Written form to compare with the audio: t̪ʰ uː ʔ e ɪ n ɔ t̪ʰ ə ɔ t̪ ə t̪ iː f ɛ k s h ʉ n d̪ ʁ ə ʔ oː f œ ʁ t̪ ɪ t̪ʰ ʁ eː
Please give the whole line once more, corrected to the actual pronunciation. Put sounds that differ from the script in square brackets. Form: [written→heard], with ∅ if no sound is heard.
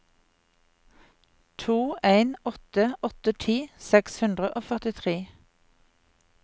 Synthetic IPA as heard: t̪ʰ uː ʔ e ɪ n ɔ [t̪ʰ→t̪] ə ɔ t̪ ə [t̪→t̪ʰ] iː [f→s] ɛ k s h ʉ n d̪ ʁ ə ʔ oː f œ ʁ t̪ ɪ t̪ʰ ʁ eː

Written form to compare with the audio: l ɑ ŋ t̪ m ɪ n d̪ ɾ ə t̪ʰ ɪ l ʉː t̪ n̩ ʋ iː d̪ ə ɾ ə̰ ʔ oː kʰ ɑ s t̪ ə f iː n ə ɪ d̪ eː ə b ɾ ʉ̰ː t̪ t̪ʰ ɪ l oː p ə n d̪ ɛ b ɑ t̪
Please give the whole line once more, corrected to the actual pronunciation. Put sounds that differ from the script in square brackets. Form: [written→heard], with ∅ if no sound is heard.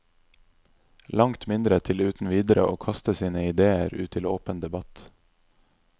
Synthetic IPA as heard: l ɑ ŋ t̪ m ɪ n d̪ ɾ ə t̪ʰ ɪ l ʉː t̪ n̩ ʋ iː d̪ ə ɾ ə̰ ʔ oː kʰ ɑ s t̪ ə [f→s] iː n ə ɪ d̪ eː ə [b→∅] ɾ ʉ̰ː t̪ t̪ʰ ɪ l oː p ə n d̪ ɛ b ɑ t̪

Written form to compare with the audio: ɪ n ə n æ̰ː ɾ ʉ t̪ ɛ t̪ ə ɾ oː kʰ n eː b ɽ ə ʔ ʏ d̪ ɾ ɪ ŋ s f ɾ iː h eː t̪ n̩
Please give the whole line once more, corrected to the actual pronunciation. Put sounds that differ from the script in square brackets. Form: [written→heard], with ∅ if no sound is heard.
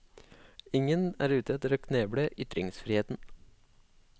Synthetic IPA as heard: ɪ [n→ŋ] ə n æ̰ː ɾ [ʉ→ʉː] t̪ ɛ t̪ ə ɾ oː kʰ n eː b ɽ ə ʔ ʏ [d̪→t̪] ɾ ɪ ŋ s f ɾ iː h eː t̪ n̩

